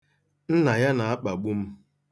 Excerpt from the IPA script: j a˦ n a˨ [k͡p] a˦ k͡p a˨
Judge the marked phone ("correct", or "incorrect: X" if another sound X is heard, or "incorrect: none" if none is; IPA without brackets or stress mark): incorrect: none